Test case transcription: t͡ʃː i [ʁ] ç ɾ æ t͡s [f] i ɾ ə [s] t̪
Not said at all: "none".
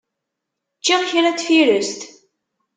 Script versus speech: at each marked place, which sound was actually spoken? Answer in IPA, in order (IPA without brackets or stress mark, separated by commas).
ʁ, f, s